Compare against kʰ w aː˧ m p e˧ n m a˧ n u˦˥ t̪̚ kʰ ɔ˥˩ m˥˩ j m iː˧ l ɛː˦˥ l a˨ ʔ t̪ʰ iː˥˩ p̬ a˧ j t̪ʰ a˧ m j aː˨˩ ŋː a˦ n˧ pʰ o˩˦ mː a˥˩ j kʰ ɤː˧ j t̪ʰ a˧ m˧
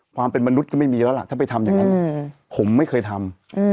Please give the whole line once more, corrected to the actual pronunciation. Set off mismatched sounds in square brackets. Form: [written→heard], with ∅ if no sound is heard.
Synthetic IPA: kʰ w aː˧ m p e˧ n m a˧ n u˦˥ t̪̚ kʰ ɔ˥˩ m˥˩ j m iː˧ l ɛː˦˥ l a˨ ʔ t̪ʰ [iː˥˩→aː˥˩] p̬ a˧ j t̪ʰ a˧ m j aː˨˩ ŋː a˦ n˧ pʰ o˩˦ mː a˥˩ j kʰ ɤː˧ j t̪ʰ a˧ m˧